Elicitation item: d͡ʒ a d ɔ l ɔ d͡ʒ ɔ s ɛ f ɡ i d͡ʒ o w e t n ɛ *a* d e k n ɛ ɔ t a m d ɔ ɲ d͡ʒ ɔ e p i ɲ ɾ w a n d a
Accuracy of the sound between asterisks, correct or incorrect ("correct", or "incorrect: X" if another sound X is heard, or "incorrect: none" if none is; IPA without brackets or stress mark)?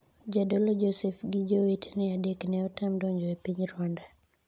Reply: correct